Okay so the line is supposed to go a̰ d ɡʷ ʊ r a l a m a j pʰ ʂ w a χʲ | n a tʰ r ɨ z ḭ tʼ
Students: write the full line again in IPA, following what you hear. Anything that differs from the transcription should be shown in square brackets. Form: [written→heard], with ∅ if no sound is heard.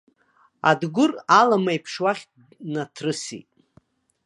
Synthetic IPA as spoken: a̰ d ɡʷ ʊ r a l a m a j pʰ ʂ w a χʲ | n a tʰ r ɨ [z→s] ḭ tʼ